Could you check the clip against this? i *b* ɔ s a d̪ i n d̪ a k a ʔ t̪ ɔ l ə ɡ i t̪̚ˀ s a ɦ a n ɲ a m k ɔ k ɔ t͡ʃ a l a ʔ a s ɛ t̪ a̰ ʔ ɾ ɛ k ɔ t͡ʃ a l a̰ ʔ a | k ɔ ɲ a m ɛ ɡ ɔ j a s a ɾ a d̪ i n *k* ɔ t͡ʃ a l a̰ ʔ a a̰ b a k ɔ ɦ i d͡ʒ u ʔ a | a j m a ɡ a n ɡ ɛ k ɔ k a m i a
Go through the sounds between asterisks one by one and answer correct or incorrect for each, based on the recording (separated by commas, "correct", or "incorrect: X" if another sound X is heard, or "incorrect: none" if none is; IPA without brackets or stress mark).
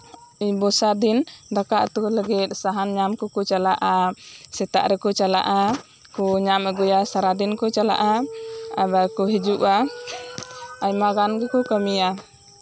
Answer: correct, correct